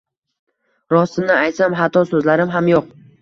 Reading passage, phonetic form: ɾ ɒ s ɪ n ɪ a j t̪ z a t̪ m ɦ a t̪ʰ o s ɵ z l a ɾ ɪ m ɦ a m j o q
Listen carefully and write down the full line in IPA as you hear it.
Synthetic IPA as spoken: ɾ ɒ s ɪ n ɪ a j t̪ s a m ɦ a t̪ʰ ɒ s ɵ z l a ɾ ɪ m ɦ a m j o q